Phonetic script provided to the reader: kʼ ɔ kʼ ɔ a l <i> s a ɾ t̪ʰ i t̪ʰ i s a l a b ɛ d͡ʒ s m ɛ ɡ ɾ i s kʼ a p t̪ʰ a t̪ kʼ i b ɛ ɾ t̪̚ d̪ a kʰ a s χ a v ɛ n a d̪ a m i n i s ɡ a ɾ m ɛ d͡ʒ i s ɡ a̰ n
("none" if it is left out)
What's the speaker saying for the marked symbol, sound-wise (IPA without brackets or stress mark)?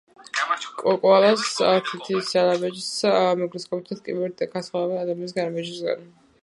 a